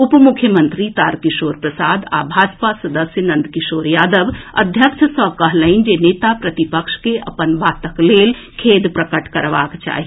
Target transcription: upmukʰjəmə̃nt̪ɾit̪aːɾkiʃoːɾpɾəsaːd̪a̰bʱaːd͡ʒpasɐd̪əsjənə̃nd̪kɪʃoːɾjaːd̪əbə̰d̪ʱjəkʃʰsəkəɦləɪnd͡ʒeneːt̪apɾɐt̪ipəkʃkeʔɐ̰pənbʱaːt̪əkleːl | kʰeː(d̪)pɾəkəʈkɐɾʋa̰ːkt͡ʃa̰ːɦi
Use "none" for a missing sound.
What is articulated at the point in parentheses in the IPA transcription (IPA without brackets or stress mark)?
d̪